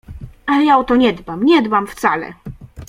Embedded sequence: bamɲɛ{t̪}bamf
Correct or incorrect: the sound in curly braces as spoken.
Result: incorrect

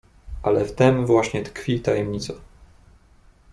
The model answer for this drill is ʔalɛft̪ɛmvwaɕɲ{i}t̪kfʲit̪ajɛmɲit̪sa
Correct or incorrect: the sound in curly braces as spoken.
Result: incorrect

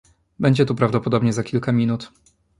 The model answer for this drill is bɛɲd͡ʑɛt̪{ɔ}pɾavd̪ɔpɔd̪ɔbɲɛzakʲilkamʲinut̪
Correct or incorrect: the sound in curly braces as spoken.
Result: incorrect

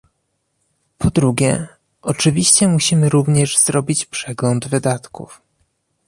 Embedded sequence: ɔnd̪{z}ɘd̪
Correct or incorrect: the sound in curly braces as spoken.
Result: incorrect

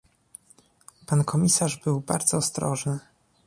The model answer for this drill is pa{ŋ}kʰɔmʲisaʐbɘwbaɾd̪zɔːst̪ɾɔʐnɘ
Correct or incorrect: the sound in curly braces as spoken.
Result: incorrect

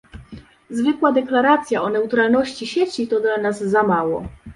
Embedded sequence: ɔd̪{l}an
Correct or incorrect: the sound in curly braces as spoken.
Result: correct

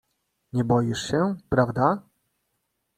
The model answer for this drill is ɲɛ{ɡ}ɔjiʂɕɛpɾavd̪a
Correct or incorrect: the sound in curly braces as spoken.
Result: incorrect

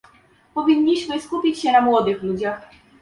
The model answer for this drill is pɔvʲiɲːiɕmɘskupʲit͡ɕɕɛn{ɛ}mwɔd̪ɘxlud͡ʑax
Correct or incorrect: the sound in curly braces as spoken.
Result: incorrect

